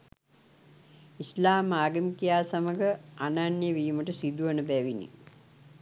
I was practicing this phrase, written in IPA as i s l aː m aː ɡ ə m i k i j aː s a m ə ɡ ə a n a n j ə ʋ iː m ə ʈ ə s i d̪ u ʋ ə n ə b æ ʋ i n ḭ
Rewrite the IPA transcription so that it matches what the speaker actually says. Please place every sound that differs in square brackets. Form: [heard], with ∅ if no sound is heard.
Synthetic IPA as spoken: i s l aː m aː ɡ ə m i k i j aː s a m ə ɡ ə a n a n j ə ʋ iː m ə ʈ ə s i d̪ u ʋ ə n ə b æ ʋ i n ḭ